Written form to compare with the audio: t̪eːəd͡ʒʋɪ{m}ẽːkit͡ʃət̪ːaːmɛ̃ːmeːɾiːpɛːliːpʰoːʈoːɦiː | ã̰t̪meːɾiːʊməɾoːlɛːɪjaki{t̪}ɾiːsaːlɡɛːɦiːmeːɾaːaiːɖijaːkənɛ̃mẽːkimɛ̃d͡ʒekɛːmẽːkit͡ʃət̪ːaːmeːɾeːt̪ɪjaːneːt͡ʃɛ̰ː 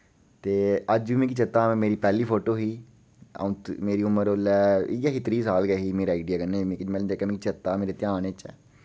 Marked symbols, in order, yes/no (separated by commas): yes, yes